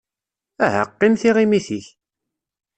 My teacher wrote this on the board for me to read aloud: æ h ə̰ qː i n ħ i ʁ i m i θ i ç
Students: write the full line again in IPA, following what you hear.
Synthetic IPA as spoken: æ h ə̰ qː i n θ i ʁ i m i θ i ç